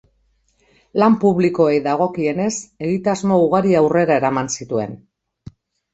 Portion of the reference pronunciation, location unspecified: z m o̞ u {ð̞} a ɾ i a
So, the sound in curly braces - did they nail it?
no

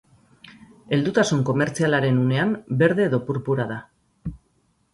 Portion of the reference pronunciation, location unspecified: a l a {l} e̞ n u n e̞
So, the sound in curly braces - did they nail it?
no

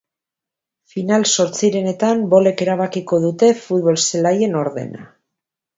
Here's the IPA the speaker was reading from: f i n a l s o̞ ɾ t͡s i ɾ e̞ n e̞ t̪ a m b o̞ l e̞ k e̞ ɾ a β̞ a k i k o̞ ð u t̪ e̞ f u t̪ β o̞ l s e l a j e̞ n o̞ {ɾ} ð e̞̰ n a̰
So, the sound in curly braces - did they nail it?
yes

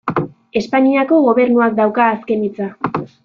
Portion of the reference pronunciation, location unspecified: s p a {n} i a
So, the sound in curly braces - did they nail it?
no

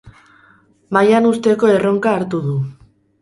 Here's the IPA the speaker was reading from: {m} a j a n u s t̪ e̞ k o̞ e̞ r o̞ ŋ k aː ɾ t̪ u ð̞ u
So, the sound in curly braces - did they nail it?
yes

